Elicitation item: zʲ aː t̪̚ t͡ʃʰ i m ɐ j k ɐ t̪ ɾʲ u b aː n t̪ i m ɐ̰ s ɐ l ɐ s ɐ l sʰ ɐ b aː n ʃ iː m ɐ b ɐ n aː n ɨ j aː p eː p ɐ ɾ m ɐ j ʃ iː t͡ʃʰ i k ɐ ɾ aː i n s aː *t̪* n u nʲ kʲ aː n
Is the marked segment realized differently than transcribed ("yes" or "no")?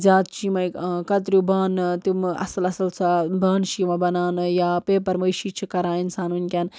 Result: yes